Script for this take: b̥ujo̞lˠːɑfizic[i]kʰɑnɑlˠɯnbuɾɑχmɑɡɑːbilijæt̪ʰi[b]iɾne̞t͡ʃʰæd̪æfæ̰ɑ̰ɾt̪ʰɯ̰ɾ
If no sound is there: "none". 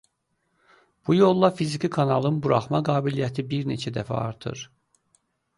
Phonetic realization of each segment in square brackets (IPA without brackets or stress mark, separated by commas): i, b